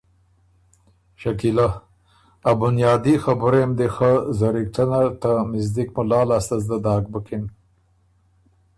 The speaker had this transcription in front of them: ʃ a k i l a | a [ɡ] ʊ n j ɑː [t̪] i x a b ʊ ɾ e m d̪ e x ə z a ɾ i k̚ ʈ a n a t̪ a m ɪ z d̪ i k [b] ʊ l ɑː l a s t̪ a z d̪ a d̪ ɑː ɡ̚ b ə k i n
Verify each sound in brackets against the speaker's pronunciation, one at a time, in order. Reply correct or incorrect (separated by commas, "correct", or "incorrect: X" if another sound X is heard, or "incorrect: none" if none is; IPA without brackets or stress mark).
incorrect: b, incorrect: d̪, incorrect: m